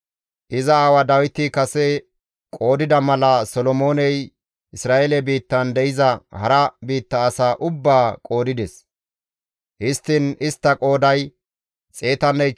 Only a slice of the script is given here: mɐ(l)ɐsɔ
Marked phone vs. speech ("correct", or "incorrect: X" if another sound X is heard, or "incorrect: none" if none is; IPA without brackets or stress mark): correct